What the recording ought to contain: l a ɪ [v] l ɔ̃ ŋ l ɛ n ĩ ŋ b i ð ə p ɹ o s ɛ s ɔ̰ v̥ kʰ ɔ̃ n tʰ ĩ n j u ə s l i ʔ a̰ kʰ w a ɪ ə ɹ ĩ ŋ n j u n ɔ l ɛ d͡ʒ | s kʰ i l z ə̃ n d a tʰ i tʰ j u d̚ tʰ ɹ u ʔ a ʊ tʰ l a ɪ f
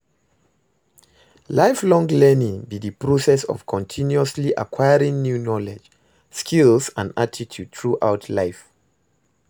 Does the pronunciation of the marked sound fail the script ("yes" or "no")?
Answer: yes